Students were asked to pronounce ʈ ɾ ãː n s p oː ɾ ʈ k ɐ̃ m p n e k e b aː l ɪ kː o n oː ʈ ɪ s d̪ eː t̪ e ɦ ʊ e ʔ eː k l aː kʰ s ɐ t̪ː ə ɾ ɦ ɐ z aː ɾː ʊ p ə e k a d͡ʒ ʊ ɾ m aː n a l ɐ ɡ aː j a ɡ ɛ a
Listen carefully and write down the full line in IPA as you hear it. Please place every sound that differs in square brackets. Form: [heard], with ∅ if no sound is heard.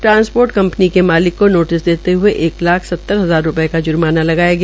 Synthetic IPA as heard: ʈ ɾ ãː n s p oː ɾ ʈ k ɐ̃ m p n [i] k e [m] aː l ɪ kː o n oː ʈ ɪ s d̪ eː t̪ e ɦ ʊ e ʔ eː k l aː kʰ s ɐ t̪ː ə ɾ ɦ ɐ z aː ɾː ʊ p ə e k a d͡ʒ ʊ ɾ m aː n a l ɐ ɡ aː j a ɡ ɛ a